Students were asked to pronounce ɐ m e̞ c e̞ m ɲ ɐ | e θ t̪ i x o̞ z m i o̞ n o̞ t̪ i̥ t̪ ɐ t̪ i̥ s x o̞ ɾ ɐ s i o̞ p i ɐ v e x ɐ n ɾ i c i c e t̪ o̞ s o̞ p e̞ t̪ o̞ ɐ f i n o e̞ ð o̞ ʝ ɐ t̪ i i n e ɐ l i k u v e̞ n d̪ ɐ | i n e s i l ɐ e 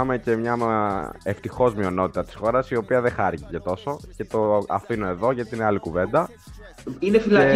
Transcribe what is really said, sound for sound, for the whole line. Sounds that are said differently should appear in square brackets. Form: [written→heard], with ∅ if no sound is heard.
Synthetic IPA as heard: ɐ m e̞ c e̞ m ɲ ɐ | e [θ→f] t̪ i x o̞ z m i o̞ n o̞ t̪ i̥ t̪ ɐ t̪ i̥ s x o̞ ɾ ɐ s i o̞ p i ɐ [v→ð] e x ɐ [n→∅] ɾ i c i c e t̪ o̞ s o̞ [p→c] e̞ t̪ o̞ ɐ f i n o e̞ ð o̞ ʝ ɐ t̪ i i n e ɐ l i k u v e̞ n d̪ ɐ | i n e [s→f] i l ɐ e